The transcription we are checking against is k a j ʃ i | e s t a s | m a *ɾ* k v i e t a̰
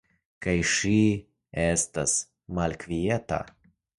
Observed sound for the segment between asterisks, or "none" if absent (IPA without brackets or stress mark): l